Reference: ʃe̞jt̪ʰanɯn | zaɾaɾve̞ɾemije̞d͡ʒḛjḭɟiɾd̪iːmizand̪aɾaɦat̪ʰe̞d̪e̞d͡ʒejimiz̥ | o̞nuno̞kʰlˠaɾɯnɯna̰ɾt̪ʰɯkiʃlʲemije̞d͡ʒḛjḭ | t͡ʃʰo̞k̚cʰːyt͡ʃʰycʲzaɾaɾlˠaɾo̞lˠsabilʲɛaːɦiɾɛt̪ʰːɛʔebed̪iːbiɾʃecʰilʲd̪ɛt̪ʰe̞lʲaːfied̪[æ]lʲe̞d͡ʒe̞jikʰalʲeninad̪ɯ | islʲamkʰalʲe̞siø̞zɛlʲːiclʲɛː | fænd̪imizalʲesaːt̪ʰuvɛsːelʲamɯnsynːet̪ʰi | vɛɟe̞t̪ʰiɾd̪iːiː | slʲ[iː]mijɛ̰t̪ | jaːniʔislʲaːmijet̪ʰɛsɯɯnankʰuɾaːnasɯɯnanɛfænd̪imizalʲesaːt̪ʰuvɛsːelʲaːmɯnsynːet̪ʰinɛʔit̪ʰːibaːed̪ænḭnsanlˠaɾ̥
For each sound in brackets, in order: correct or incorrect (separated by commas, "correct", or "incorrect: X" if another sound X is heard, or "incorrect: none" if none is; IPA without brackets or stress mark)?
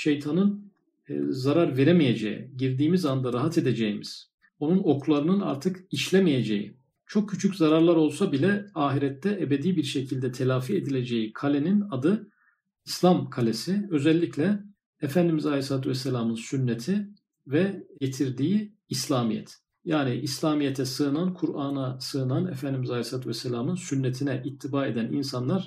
incorrect: i, incorrect: aː